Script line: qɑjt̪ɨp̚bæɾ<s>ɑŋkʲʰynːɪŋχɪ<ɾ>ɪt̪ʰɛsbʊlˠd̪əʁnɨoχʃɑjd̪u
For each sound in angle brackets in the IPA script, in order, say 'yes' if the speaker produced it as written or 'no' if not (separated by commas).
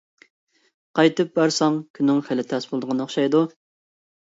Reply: yes, no